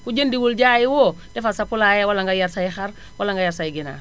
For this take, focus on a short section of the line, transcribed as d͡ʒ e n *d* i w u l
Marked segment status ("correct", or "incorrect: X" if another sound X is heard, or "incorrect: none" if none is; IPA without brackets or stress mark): correct